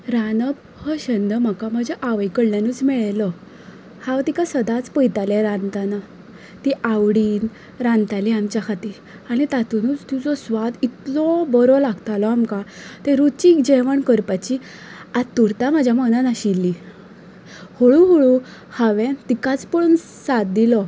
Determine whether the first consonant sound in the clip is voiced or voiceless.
voiced